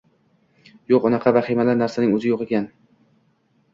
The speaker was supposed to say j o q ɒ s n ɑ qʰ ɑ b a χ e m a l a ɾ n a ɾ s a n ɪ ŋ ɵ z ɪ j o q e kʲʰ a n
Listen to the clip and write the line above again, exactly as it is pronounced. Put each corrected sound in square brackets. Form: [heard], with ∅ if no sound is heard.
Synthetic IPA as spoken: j o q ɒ [∅] n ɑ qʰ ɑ [v] a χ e m a l a ɾ n a ɾ s a n ɪ ŋ ɵ z ɪ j o q e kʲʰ a n